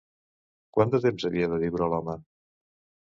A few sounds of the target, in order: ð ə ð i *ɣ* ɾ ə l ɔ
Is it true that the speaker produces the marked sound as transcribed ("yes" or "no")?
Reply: no